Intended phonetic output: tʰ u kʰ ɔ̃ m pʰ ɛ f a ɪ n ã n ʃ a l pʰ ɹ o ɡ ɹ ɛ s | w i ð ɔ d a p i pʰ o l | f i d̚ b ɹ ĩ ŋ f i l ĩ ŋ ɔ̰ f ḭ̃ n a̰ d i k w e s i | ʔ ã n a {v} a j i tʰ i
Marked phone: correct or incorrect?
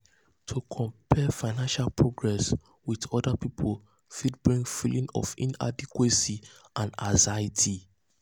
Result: incorrect